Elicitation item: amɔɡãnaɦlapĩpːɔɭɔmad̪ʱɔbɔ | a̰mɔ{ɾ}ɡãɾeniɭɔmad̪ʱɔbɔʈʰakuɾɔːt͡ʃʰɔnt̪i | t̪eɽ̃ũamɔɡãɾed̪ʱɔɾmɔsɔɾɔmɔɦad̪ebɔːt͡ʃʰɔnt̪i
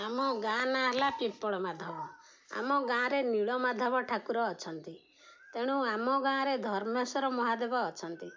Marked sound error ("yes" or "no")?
yes